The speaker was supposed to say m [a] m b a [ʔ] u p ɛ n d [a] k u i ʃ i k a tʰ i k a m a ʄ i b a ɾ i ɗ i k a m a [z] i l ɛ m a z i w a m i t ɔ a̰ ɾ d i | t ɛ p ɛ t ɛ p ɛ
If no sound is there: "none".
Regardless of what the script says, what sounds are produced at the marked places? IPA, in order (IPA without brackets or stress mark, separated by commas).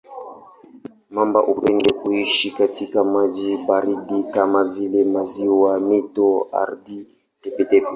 a, ʔ, ɛ, v